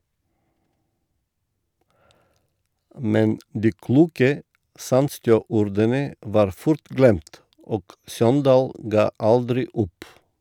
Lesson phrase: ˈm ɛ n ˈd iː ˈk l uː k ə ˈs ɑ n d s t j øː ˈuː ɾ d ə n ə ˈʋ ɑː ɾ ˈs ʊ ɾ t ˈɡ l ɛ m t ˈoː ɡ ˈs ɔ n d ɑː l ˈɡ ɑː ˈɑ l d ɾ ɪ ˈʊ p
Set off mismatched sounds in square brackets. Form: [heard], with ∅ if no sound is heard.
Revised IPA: ˈm ɛ n ˈd iː ˈk l uː k ə ˈs ɑ n d s t j øː ˈuː ɾ d ə n ə ˈʋ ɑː ɾ [ˈf] ʊ ɾ t ˈɡ l ɛ m t ˈoː ɡ ˈs ɔ n d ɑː l ˈɡ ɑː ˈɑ l d ɾ ɪ ˈʊ p